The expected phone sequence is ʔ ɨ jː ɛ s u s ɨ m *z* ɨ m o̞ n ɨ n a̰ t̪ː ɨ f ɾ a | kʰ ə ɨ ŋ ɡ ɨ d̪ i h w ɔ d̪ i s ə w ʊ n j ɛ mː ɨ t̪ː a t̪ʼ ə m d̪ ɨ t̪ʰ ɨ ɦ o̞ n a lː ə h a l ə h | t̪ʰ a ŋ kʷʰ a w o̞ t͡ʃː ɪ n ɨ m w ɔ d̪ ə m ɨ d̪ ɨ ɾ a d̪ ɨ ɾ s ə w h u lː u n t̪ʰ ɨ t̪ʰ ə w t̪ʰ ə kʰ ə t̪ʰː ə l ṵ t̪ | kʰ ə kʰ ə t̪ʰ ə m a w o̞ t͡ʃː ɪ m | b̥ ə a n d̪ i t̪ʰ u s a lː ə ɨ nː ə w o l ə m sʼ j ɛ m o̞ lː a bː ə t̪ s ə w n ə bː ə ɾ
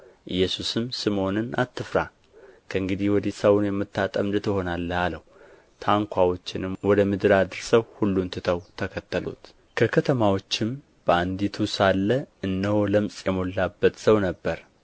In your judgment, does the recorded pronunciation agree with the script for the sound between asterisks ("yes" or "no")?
no